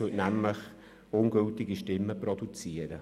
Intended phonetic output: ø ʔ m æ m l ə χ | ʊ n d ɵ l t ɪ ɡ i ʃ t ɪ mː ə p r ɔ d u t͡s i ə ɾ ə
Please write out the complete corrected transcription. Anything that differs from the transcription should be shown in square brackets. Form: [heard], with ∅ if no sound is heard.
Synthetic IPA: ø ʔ [n] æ m l ə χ | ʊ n [ɡ] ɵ l t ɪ ɡ i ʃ t ɪ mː ə p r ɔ d u t͡s i ə ɾ ə

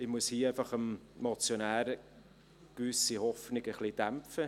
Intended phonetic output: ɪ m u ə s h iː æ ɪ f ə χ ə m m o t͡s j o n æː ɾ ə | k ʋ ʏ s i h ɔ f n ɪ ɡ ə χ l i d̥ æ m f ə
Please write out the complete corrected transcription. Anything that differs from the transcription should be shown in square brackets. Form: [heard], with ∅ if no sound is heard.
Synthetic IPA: ɪ m u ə s h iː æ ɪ f [ɑ] χ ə m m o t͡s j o n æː ɾ ə | k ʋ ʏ s i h ɔ f n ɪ ɡ ə χ l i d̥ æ m f ə

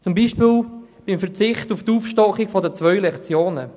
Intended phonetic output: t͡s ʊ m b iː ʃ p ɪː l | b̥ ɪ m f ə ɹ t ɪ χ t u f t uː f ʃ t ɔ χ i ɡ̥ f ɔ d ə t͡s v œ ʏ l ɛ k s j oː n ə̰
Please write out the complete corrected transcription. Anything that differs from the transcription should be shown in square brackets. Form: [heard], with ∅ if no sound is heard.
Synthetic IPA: t͡s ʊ m b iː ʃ p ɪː l | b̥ ɪ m f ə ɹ [t͡s] ɪ χ t u f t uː f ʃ t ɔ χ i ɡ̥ f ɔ d ə t͡s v œ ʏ l ɛ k [t͡s] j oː n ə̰

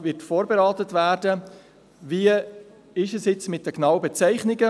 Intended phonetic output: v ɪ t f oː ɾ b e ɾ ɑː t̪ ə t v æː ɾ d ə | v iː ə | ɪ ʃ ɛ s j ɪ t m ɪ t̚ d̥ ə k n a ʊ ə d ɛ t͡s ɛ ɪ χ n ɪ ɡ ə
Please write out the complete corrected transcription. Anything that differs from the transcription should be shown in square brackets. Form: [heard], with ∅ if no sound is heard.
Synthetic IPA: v ɪ t f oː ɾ b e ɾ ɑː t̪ ə t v æː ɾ d ə | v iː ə | ɪ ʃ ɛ s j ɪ [t͡s] m ɪ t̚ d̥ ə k n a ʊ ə [b] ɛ t͡s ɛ ɪ χ n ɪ ɡ ə

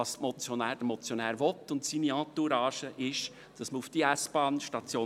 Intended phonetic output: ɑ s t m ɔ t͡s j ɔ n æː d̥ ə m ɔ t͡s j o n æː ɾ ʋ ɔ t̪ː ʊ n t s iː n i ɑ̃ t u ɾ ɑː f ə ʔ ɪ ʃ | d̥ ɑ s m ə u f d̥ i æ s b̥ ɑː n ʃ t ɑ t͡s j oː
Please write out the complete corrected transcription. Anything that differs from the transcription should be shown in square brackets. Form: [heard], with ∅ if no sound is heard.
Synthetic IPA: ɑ s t m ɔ t͡s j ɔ n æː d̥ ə m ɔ t͡s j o n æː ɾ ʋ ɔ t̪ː ʊ n t s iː n i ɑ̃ t u ɾ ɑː [ʃ] ə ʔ ɪ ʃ | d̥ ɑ s m ə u f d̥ i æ s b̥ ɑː n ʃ t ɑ t͡s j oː

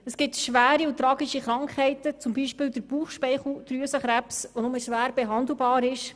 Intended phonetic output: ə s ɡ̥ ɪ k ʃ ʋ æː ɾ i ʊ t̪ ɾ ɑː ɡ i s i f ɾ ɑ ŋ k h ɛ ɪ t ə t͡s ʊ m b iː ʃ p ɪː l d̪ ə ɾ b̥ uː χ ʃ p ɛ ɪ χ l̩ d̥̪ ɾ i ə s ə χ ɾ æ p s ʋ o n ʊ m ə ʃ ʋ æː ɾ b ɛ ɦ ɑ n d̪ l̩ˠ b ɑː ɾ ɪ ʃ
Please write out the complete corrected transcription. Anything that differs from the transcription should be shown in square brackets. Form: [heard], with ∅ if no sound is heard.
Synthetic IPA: ə s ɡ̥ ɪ [t] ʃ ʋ æː ɾ i ʊ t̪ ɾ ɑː ɡ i [ʃ] i [χ] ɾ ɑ ŋ k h ɛ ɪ t ə t͡s ʊ m b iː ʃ p ɪː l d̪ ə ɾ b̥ uː χ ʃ p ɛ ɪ χ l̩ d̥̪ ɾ [y] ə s ə χ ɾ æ p s ʋ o n ʊ m ə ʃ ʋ æː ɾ b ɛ ɦ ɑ n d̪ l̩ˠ b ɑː ɾ ɪ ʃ

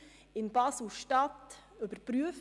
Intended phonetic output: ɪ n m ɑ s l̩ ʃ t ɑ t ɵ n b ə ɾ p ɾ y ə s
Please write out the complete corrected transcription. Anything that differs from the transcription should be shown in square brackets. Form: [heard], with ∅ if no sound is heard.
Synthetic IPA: ɪ n [b] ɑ s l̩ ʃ t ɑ t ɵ [∅] b ə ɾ p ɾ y ə [f]

